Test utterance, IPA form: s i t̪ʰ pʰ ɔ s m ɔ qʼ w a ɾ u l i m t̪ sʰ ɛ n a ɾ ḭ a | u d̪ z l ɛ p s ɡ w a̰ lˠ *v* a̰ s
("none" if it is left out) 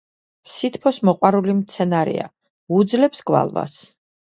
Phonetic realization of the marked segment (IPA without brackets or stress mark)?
v